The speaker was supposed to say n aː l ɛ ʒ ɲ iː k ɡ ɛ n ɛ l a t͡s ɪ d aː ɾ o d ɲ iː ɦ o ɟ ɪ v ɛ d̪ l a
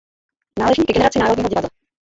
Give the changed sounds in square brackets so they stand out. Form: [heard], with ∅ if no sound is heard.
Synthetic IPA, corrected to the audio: n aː l ɛ ʒ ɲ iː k ɡ ɛ n ɛ [ɾ] a t͡s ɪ [n] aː ɾ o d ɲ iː ɦ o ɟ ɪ v [a] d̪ l a